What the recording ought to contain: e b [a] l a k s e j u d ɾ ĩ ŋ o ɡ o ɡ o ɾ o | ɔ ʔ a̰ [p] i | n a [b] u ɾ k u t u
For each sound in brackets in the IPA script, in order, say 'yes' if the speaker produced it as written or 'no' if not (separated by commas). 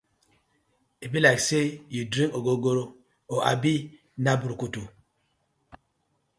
no, no, yes